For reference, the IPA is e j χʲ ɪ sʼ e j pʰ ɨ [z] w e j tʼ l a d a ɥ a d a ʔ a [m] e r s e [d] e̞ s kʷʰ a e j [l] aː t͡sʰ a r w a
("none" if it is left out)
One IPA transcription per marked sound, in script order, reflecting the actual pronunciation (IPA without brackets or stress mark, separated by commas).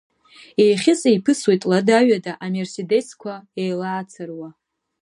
s, m, d, l